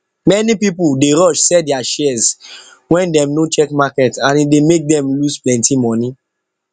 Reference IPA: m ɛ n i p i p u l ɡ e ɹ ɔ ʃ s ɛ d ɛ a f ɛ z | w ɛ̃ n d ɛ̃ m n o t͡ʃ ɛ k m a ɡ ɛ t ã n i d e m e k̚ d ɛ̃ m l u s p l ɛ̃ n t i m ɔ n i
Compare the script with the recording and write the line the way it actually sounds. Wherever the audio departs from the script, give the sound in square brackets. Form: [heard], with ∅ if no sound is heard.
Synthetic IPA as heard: m ɛ n i p i p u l [d] e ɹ ɔ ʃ s ɛ d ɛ a [ʃ] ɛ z | w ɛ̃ n d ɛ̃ m n o t͡ʃ ɛ k m a [k] ɛ t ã n i d e m e k̚ d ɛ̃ m l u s p l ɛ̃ n t i m ɔ n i